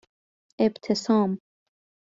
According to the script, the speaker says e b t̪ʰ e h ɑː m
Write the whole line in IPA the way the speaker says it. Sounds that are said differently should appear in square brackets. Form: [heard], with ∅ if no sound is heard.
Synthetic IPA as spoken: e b t̪ʰ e [s] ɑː m